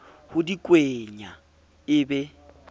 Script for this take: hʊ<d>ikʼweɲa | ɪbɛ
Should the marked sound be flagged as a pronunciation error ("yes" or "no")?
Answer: no